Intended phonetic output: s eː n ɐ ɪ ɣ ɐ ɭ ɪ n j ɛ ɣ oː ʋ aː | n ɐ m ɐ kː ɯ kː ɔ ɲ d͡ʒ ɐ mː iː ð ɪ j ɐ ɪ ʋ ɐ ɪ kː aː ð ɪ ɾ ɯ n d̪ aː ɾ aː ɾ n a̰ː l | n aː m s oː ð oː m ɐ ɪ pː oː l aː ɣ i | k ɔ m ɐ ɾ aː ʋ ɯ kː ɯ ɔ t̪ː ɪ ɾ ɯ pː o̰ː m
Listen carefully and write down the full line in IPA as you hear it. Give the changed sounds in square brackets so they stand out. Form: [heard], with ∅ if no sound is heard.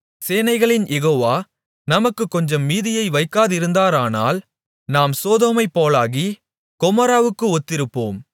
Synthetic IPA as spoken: s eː n ɐ ɪ ɣ ɐ ɭ ɪ n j ɛ ɣ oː ʋ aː | n ɐ m ɐ kː ɯ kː ɔ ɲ d͡ʒ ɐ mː iː ð ɪ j ɐ ɪ ʋ ɐ ɪ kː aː ð ɪ ɾ ɯ n d̪ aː ɾ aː [∅] n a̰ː l | n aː m s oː ð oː m ɐ ɪ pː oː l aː ɣ i | k ɔ m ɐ ɾ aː ʋ ɯ kː ɯ ɔ t̪ː ɪ ɾ ɯ pː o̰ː m